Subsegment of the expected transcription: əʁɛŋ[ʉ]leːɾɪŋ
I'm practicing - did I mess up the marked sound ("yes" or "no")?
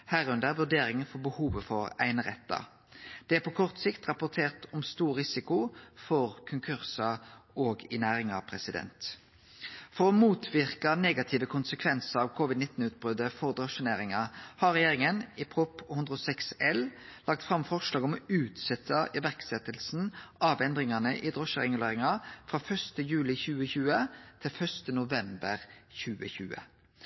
no